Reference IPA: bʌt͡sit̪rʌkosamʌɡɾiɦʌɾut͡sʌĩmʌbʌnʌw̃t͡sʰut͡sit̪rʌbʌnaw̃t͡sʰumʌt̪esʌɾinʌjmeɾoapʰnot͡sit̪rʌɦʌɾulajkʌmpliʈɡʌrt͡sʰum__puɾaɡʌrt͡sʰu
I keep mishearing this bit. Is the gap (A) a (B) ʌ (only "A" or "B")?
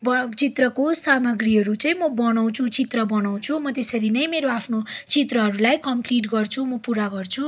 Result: B